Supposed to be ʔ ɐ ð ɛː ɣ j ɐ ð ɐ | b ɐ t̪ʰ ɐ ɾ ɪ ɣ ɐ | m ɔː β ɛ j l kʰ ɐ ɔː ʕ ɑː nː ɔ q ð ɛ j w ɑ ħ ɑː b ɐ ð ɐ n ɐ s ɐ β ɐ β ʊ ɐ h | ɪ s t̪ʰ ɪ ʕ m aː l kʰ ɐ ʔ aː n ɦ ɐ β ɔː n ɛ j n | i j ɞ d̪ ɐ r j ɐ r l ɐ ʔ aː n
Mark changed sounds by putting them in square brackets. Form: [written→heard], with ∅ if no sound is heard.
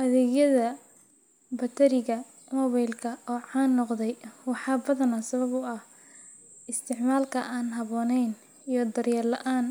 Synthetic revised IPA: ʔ ɐ ð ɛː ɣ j ɐ ð ɐ | b ɐ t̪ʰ ɐ ɾ ɪ ɣ ɐ | m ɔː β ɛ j l kʰ ɐ ɔː ʕ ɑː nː ɔ q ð ɛ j w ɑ ħ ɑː b ɐ ð ɐ n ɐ s ɐ β ɐ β ʊ ɐ h | ɪ s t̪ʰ ɪ ʕ m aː l kʰ ɐ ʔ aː n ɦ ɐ β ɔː n ɛ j n | i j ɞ d̪ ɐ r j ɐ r l ɐ ʔ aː n

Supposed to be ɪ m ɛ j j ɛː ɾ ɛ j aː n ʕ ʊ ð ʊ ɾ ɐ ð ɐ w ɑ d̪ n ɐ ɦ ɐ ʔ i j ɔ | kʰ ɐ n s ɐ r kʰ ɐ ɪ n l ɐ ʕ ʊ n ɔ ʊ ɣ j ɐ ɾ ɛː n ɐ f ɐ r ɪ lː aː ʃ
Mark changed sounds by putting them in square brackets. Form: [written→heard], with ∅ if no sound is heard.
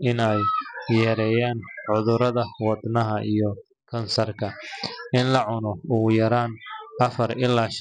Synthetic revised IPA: ɪ [m→n] ɛ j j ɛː ɾ ɛ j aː n ʕ ʊ ð ʊ ɾ ɐ ð ɐ w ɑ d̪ n ɐ ɦ ɐ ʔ i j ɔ | kʰ ɐ n s ɐ r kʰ ɐ ɪ n l ɐ ʕ ʊ n ɔ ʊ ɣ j ɐ ɾ [ɛː→aː] n ɐ f ɐ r ɪ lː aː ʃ

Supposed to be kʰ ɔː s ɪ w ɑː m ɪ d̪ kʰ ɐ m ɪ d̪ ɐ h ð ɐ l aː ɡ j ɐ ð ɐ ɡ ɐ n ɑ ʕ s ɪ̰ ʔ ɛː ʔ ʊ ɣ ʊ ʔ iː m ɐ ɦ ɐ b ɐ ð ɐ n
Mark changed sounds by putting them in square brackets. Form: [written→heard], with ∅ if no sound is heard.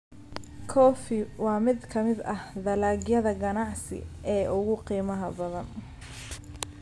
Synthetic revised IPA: kʰ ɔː [s→f] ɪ w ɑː m ɪ d̪ kʰ ɐ m ɪ d̪ ɐ h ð ɐ l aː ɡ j ɐ ð ɐ ɡ ɐ n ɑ ʕ s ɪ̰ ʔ ɛː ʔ ʊ ɣ ʊ [ʔ→q] iː m ɐ ɦ ɐ b ɐ ð ɐ n

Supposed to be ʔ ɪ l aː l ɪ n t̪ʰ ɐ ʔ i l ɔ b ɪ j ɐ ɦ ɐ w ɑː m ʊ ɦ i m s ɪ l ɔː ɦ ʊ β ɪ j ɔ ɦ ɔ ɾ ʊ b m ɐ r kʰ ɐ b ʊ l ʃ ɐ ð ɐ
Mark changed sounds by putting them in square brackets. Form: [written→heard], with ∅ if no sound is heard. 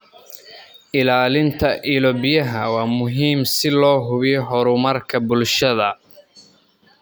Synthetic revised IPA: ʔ ɪ l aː l ɪ n t̪ʰ ɐ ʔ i l ɔ b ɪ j ɐ ɦ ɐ w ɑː m ʊ ɦ [i→iː] m s ɪ l ɔː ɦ ʊ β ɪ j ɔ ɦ ɔ ɾ ʊ [b→∅] m ɐ r kʰ ɐ b ʊ l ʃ ɐ ð ɐ

